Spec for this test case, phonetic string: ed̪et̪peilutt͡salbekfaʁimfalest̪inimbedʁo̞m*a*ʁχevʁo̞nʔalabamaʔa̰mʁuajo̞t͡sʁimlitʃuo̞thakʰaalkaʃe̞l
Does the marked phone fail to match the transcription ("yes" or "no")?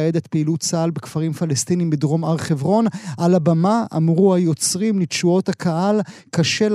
no